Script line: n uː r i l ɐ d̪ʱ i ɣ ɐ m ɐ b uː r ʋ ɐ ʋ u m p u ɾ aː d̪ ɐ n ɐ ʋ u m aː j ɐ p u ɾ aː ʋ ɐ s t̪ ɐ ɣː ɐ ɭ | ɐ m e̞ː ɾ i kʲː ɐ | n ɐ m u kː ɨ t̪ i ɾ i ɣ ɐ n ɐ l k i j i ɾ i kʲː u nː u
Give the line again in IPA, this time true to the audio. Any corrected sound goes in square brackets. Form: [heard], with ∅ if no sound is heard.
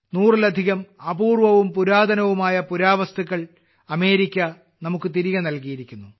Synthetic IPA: n uː r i l ɐ d̪ʱ i ɣ ɐ m ɐ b uː r ʋ ɐ ʋ u m p u ɾ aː d̪ ɐ n ɐ ʋ u m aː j ɐ p u ɾ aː ʋ ɐ s t̪ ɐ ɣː ɐ ɭ | ɐ m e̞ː ɾ i kʲː ɐ | n ɐ m u kː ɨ t̪ i ɾ i ɣ ɐ n ɐ l k i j i ɾ i kʲː u nː u